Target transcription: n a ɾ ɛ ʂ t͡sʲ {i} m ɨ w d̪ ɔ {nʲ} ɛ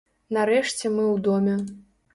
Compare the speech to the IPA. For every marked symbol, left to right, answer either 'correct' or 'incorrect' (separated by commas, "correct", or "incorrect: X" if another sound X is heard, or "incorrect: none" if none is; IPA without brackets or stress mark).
incorrect: ɛ, incorrect: mʲ